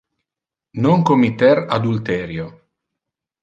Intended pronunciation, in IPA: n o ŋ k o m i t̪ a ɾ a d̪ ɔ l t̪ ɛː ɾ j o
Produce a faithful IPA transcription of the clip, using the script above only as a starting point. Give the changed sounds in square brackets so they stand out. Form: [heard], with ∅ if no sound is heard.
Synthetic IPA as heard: n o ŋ k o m i t̪ [ɛ] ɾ a d̪ [u] l t̪ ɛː ɾ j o

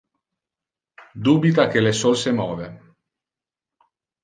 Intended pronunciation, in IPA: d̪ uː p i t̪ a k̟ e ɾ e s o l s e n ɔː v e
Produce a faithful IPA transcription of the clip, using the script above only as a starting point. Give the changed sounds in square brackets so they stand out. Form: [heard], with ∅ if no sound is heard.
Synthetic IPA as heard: d̪ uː [b] i t̪ a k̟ e [l] e s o l s e [m] ɔː v e

